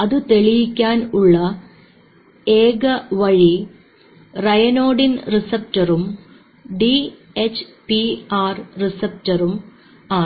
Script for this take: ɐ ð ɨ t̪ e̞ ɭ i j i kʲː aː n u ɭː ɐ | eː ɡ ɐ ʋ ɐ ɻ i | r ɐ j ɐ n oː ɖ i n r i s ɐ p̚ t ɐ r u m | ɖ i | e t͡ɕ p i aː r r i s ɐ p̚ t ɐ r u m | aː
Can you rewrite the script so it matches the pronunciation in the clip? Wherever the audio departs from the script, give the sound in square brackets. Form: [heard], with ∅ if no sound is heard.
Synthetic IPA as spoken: ɐ ð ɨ t̪ e̞ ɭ i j i kʲː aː n u ɭː ɐ | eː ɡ ɐ ʋ ɐ ɻ i | r ɐ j ɐ n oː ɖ i n r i s ɐ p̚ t ɐ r u m | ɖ i | e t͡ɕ p i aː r r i s ɐ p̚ t ɐ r u m | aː